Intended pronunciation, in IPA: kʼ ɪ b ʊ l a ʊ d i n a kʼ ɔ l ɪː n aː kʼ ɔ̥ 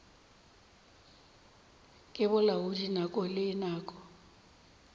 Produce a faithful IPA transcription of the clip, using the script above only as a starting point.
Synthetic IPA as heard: kʼ ɪ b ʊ l a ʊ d i n a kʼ ɔ l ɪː n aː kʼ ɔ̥